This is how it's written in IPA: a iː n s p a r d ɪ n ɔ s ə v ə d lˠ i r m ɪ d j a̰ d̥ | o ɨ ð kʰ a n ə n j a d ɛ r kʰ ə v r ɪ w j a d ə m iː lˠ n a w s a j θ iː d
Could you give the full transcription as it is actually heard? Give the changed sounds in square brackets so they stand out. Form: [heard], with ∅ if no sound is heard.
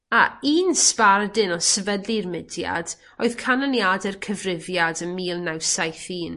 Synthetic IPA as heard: a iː n s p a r d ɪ n ɔ s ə v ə d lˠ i r m ɪ d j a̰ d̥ | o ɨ ð kʰ a n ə n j a d ɛ r kʰ ə v r ɪ [v] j a d ə m iː lˠ n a w s a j θ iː [n]